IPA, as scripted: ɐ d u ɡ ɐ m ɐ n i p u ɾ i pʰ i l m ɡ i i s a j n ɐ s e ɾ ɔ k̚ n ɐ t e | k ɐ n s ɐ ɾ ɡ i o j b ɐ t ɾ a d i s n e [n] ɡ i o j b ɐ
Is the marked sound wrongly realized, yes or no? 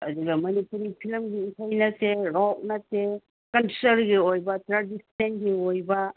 no